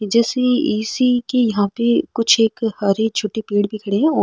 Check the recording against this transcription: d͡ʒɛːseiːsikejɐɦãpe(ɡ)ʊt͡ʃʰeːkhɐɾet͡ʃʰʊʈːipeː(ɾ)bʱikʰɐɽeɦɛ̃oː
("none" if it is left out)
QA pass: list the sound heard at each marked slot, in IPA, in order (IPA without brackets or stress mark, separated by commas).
k, ɽ